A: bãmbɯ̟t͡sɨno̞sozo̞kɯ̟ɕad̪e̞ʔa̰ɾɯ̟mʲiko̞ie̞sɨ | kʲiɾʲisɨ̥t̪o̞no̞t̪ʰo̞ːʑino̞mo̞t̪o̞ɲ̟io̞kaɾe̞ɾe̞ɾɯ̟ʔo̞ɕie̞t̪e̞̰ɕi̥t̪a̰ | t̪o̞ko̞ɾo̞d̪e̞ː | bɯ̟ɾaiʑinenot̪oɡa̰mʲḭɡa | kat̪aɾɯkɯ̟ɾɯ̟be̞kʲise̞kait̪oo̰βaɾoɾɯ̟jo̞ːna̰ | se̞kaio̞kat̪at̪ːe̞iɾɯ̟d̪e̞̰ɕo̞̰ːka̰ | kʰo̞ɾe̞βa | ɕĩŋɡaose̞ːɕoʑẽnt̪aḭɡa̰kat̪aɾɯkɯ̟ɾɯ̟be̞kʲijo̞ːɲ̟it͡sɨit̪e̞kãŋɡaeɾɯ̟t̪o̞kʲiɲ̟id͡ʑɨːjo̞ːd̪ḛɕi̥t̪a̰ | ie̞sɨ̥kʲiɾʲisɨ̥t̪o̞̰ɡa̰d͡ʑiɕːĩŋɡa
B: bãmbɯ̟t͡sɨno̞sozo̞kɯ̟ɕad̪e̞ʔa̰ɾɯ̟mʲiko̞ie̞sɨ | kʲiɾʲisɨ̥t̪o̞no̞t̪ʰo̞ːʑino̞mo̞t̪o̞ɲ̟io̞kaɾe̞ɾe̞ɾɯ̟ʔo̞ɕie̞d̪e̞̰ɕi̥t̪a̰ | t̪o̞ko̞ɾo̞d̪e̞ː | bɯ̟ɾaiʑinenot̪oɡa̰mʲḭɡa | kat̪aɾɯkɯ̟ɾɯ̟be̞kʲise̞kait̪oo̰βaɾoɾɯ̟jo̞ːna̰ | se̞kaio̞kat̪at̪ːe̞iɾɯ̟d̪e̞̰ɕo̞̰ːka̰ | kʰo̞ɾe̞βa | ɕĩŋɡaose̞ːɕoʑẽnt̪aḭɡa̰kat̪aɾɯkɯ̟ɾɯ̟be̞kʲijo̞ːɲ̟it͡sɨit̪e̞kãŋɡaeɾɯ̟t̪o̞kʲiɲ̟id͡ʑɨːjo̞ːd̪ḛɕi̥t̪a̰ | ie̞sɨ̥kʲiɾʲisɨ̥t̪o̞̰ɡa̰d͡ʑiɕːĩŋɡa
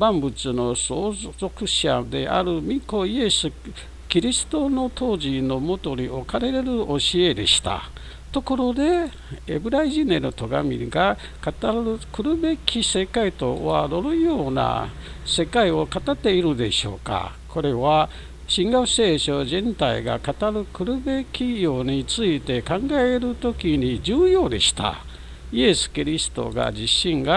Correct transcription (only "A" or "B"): B